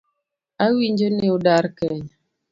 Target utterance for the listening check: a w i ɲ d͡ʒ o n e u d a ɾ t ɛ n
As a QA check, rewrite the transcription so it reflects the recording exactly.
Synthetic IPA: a w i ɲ d͡ʒ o n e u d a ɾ k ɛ ɲ

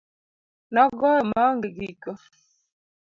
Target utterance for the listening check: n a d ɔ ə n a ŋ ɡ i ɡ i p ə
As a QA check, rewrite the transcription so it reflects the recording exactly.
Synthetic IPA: n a ɡ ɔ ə m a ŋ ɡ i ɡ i k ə

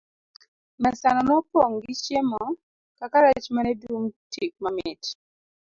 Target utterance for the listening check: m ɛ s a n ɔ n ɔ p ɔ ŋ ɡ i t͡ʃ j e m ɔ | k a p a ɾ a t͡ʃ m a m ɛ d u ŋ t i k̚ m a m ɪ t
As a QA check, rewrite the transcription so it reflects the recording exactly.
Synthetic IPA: m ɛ s a n ɔ n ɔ p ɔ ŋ ɡ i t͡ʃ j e m ɔ | k a k a ɾ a t͡ʃ m a n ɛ d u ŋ t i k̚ m a m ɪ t

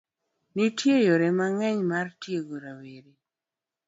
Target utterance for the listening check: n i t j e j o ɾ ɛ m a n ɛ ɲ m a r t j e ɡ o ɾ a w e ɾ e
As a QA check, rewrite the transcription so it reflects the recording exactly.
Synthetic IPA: n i t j e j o ɾ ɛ m a ŋ ɛ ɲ m a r t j e ɡ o ɾ a w e ɾ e

